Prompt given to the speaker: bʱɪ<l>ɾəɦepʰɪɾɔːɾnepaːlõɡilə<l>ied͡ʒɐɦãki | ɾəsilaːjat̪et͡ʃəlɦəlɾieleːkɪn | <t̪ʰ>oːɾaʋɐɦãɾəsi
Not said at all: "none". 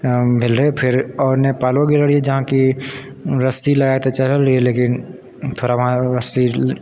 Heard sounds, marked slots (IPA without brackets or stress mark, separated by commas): l, ɽ, t̪ʰ